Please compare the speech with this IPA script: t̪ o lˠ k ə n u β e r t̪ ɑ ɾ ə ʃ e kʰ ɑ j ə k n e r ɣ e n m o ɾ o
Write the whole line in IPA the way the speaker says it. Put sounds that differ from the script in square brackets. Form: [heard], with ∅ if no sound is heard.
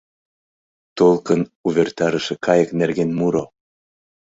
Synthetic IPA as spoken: t̪ o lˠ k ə n u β e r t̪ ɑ ɾ ə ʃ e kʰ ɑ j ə k n e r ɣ e n m [u] ɾ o